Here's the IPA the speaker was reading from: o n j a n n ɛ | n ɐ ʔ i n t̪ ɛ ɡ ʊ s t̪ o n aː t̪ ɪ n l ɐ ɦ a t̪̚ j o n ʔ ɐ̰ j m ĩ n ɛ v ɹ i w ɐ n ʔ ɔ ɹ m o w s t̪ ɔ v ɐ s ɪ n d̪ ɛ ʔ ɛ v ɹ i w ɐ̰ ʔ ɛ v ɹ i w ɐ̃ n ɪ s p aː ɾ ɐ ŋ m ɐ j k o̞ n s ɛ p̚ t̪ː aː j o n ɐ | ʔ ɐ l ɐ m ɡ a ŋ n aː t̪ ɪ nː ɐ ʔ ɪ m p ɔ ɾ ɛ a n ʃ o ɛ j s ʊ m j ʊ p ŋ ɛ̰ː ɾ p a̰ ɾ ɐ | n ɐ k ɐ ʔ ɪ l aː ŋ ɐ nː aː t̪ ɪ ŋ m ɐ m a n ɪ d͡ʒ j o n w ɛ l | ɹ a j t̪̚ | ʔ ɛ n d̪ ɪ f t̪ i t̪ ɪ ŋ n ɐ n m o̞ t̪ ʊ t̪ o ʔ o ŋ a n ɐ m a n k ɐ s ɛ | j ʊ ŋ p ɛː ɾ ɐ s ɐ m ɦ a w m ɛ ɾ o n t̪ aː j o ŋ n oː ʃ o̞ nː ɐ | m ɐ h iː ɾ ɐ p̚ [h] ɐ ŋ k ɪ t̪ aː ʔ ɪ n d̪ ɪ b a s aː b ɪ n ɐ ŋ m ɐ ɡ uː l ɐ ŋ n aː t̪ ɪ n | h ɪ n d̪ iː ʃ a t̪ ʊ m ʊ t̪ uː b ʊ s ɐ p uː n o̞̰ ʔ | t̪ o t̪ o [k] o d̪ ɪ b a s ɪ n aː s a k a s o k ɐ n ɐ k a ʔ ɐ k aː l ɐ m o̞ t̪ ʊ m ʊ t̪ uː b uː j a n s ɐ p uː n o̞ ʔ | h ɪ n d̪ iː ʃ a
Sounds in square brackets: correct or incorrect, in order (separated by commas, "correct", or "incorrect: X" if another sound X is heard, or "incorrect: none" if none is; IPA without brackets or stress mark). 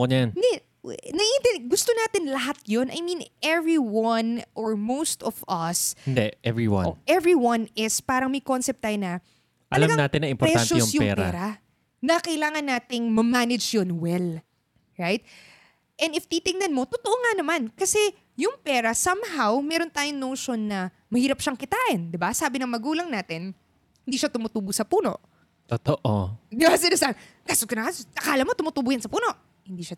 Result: incorrect: ʃ, incorrect: ʔ